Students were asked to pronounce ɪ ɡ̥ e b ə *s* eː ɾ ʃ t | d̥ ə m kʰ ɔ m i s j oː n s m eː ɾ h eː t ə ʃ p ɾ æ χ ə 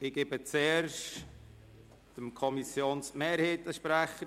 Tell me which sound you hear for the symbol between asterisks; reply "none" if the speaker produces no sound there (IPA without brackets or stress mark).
t͡s